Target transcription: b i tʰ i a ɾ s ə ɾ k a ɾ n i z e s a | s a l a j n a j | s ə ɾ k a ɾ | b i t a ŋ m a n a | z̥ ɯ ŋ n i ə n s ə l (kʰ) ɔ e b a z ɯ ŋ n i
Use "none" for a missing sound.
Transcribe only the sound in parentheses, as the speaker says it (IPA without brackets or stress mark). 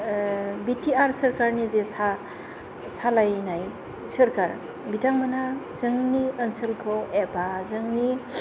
kʰ